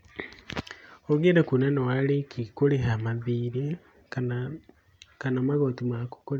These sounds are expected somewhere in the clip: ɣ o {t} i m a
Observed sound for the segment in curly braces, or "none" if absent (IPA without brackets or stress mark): t